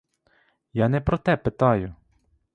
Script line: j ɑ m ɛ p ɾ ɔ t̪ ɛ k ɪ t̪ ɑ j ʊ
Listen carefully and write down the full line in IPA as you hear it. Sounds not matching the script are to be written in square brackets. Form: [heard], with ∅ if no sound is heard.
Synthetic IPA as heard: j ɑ [n] ɛ p ɾ ɔ t̪ ɛ [p] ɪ t̪ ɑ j ʊ

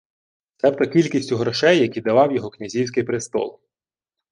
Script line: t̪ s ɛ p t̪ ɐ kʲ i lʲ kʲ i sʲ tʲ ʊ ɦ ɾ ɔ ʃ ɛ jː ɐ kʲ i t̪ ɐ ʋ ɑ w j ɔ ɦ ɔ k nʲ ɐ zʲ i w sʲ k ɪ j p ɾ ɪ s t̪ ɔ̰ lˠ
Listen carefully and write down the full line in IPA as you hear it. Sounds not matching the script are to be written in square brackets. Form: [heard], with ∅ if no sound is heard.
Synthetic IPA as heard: t̪ s ɛ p t̪ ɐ kʲ i lʲ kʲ i sʲ tʲ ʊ ɦ ɾ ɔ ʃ ɛ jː ɐ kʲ i [d̪] ɐ ʋ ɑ w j ɔ ɦ ɔ k nʲ ɐ zʲ i w sʲ k ɪ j p ɾ ɪ s t̪ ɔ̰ lˠ

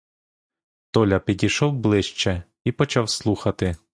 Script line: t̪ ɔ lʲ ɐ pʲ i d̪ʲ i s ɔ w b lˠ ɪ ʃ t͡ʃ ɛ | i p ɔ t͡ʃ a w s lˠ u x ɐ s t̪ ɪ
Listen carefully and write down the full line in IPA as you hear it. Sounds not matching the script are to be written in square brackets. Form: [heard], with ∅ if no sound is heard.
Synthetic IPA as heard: t̪ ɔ lʲ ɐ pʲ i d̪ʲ i [ʃ] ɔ w b lˠ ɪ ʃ t͡ʃ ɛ | i p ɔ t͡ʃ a w s lˠ u x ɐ [∅] t̪ ɪ

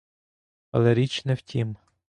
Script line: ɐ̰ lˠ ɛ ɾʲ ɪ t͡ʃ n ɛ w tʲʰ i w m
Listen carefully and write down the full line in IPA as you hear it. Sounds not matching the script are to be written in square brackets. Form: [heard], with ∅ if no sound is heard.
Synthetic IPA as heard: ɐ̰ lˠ ɛ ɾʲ [i] t͡ʃ n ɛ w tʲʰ i [∅] m

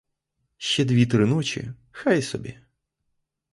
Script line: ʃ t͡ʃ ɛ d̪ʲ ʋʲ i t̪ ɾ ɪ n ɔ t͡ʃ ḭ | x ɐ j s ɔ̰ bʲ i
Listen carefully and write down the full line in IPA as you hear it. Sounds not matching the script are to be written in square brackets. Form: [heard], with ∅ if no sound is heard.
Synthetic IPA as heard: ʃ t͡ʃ ɛ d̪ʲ ʋʲ i t̪ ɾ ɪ n ɔ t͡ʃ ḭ | x [a] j s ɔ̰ bʲ i

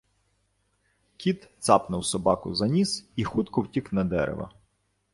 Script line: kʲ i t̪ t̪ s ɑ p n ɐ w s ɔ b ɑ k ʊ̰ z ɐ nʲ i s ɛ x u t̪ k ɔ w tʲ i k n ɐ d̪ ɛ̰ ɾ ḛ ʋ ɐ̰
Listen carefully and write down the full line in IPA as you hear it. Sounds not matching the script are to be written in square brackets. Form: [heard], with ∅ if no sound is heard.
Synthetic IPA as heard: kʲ i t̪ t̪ s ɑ p n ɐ w s ɔ b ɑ k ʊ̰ z ɐ nʲ i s [i] x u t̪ k ɔ w tʲ i k n ɐ d̪ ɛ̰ ɾ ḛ ʋ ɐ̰

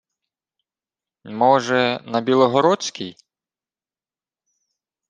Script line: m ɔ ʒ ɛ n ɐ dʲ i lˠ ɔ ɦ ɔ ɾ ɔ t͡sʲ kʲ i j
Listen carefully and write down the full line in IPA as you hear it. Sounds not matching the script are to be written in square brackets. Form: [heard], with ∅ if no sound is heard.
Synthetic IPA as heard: m ɔ ʒ ɛ n ɐ [bʲ] i lˠ ɔ ɦ ɔ ɾ ɔ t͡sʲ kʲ i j

